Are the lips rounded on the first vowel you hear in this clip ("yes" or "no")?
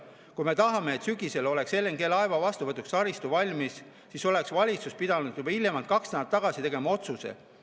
yes